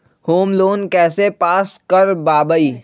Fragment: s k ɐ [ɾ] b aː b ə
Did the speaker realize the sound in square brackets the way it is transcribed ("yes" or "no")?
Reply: yes